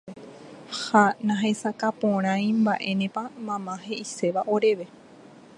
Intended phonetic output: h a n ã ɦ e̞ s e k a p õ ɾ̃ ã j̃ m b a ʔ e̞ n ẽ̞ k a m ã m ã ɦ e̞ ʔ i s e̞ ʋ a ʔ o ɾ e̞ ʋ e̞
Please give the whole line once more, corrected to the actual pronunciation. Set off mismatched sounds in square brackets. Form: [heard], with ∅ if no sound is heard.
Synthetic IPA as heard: h a n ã ɦ e̞ s [a] k a p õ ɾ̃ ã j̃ m b a ʔ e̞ n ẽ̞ [p] a m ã m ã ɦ e̞ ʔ i s e̞ ʋ a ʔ o ɾ e̞ ʋ e̞